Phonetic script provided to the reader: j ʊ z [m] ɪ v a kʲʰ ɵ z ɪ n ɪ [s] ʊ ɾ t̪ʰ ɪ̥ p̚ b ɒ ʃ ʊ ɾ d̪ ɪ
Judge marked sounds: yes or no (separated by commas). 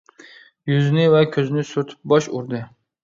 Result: no, yes